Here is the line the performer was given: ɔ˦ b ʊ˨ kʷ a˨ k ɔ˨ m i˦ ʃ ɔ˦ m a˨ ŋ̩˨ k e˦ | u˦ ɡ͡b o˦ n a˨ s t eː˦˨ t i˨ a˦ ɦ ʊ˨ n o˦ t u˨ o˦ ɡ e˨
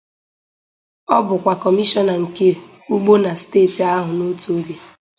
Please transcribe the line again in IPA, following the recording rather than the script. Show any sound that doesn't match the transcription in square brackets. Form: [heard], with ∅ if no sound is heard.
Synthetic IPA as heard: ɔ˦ b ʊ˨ kʷ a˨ k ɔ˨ m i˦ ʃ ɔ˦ [n] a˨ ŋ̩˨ k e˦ | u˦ ɡ͡b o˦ n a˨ s t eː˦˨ t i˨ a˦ ɦ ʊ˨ n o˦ t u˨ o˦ ɡ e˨